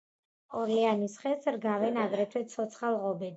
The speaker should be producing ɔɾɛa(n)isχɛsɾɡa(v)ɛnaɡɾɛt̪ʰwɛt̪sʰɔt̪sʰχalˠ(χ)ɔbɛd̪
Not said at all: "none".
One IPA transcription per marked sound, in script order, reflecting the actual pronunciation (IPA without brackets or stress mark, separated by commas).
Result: n, v, ʁ